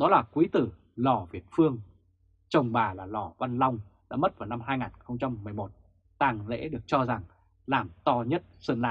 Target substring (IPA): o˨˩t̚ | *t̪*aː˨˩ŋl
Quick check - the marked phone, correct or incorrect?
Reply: correct